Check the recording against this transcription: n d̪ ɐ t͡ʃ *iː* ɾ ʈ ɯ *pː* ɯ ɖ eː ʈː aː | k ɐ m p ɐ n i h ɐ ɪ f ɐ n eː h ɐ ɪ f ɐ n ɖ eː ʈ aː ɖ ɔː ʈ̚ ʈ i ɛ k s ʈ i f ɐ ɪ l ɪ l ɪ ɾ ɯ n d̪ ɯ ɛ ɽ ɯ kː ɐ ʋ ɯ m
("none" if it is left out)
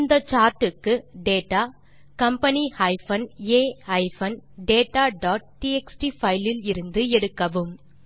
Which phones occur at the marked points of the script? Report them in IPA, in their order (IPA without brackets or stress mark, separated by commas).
aː, kː